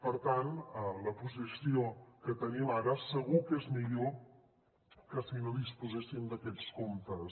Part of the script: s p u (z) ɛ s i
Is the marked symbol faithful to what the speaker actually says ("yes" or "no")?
yes